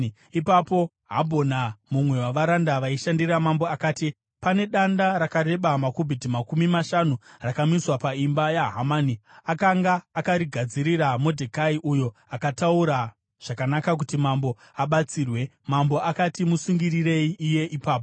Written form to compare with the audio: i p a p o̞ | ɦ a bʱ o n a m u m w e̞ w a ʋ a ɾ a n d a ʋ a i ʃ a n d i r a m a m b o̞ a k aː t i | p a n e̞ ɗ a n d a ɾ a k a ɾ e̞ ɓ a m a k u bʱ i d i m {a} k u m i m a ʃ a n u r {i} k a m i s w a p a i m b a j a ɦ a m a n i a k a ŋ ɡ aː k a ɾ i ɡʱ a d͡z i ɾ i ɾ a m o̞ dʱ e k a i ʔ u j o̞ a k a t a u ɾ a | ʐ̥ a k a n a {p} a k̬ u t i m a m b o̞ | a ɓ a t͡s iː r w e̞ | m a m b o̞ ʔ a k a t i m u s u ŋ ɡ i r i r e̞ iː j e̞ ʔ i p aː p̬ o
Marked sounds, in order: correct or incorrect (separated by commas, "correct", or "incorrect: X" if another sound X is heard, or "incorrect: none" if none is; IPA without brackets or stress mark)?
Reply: correct, incorrect: a, incorrect: k